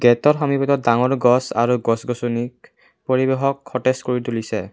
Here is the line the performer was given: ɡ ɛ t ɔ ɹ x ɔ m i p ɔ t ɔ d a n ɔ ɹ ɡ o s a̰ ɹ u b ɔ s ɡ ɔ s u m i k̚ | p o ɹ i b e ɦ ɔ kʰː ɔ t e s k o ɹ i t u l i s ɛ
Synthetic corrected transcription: ɡ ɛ t ɔ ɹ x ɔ m i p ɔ t ɔ d a ŋ ɔ ɹ ɡ ɔ s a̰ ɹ u ɡ ɔ s ɡ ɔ s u n i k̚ | p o ɹ i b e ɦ ɔ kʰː ɔ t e s k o ɹ i t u l i s ɛ